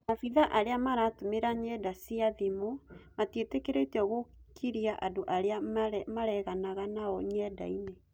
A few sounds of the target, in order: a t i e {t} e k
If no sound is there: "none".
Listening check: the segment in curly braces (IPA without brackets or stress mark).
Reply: t